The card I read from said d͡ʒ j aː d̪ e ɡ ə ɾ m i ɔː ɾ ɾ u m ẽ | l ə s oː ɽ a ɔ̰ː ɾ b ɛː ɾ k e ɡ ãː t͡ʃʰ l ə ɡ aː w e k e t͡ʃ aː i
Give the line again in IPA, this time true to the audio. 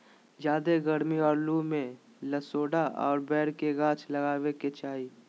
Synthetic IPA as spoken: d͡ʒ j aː d̪ e ɡ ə ɾ m i ɔː ɾ l u m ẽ | l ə s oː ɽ a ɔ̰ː ɾ b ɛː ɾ k e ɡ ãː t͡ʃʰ l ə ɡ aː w e k e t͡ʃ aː i